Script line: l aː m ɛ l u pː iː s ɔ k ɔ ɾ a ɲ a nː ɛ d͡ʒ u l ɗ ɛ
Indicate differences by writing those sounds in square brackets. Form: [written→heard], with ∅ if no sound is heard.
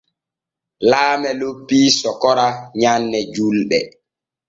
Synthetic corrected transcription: l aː m ɛ l [u→o] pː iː s ɔ k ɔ ɾ a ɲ a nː ɛ d͡ʒ u l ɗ ɛ

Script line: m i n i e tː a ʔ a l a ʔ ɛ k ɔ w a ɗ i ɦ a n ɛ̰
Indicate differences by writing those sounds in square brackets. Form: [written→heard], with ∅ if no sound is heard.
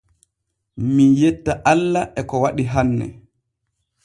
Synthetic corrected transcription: m i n [i→j] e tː a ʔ a [l→lː] a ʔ ɛ k ɔ w a ɗ i ɦ a [n→nː] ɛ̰

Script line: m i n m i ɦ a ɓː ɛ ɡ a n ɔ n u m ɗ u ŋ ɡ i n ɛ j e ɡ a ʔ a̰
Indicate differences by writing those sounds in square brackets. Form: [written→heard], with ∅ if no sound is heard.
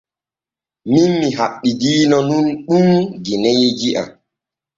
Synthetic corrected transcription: m i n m i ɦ a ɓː [ɛ→i] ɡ [a→i] n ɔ n u [m→n] ɗ u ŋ ɡ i n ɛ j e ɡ [a→i] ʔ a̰

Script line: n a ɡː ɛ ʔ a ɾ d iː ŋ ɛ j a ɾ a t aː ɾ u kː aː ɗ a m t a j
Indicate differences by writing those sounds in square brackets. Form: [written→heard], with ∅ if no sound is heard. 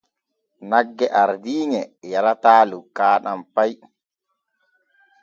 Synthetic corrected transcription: n a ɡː ɛ ʔ a ɾ d iː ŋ ɛ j a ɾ a t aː [ɾ→l] u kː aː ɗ a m [t→p] a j

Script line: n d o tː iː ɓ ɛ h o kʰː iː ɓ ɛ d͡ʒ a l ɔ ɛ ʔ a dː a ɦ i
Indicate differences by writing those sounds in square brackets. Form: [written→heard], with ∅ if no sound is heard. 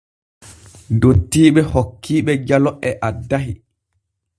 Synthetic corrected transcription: n d o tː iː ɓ ɛ h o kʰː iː ɓ ɛ d͡ʒ a l ɔ ɛ ʔ a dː a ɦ i

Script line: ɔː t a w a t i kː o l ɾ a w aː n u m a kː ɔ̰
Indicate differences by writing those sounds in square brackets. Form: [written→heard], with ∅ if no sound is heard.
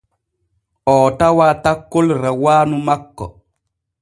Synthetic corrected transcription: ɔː t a w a t [i→a] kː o l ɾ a w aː n u m a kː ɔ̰

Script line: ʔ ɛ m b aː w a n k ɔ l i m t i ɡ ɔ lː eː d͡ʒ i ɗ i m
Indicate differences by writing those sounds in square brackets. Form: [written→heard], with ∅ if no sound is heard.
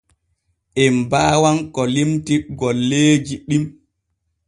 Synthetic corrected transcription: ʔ ɛ m b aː w a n k ɔ l i m t i ɡ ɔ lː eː d͡ʒ i ɗ i m

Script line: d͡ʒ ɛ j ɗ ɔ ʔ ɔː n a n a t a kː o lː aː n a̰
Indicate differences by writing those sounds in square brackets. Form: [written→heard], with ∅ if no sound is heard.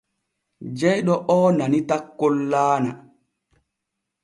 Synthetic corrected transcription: d͡ʒ ɛ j ɗ ɔ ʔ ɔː n a n [a→i] t a kː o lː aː n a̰

